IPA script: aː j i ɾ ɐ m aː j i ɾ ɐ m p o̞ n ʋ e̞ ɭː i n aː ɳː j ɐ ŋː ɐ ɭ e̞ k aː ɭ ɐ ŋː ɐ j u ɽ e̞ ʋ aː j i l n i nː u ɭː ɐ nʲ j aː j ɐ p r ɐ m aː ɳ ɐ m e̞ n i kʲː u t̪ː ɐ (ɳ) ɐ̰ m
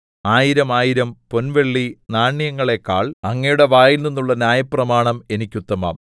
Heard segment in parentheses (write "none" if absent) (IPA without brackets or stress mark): m